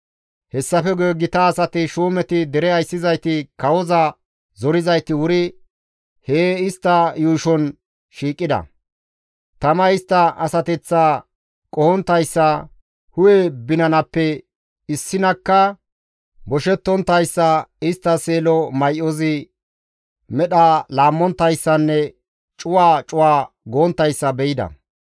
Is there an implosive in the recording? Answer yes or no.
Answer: yes